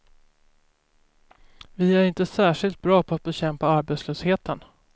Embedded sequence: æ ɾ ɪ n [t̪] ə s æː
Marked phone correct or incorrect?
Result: correct